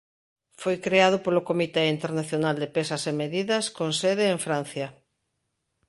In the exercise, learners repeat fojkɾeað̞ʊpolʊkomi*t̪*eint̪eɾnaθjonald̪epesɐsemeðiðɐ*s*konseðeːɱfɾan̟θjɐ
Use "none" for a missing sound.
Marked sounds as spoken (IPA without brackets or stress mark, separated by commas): t̪, s